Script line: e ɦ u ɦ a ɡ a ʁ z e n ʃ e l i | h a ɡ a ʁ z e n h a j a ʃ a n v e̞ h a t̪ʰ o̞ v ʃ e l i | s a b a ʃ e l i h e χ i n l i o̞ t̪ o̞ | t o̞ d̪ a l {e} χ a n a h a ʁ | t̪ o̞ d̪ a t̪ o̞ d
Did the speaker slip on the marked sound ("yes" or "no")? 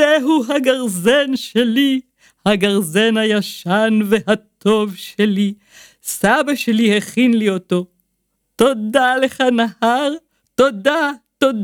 no